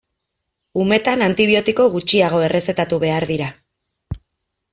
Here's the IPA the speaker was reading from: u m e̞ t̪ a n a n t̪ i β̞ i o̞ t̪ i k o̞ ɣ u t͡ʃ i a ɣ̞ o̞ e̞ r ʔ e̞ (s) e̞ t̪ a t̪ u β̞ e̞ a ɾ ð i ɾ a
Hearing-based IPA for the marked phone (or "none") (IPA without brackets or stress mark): s